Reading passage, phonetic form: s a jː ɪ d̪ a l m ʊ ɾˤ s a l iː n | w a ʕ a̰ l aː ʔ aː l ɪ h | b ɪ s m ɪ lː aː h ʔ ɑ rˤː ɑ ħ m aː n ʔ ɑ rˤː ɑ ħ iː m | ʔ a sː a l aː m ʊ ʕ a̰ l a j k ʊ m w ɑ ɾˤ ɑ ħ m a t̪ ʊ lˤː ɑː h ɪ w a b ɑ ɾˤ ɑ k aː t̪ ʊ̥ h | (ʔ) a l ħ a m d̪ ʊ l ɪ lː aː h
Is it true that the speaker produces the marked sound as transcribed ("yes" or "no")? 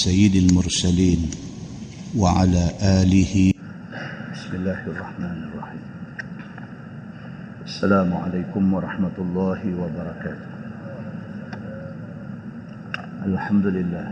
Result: yes